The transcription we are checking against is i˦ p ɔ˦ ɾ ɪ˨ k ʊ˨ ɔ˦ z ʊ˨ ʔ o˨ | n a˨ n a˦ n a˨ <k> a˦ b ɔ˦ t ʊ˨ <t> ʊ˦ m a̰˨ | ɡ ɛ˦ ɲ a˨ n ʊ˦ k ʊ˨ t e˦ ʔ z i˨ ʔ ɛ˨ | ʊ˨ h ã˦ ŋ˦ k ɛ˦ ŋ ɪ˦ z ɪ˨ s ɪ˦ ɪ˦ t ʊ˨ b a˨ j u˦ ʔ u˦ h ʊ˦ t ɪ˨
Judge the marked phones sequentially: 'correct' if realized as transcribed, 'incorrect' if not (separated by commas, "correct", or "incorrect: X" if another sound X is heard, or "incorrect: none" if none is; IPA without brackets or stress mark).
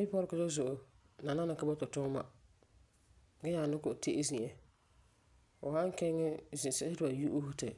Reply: correct, correct